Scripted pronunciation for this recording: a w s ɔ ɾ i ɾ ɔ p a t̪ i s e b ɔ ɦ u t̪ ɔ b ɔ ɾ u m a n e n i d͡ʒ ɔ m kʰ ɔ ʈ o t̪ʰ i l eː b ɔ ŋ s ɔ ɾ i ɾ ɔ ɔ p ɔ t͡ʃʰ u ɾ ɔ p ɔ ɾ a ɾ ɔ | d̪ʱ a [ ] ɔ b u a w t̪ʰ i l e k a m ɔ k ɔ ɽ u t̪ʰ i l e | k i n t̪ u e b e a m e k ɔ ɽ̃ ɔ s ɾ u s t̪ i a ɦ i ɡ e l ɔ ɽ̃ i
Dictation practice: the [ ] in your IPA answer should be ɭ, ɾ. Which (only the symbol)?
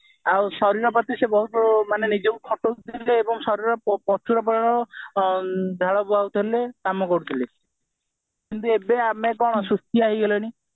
ɭ